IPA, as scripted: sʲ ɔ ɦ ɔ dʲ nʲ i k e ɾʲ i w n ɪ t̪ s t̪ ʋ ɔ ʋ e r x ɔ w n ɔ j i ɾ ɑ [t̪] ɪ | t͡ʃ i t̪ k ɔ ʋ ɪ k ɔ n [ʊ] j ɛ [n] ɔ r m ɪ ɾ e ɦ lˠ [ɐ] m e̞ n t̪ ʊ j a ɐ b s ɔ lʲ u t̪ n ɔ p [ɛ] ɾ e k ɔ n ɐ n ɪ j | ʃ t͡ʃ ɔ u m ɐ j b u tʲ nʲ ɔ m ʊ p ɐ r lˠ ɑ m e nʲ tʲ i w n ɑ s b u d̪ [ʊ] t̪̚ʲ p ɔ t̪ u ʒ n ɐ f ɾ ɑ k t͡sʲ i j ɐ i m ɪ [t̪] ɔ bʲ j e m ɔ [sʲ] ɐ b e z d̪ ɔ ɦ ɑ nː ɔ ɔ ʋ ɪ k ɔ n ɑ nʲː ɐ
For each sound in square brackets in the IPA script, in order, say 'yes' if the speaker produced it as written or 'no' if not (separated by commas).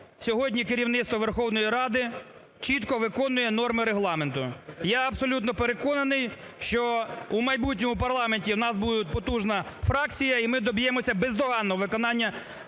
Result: no, yes, yes, no, no, yes, no, yes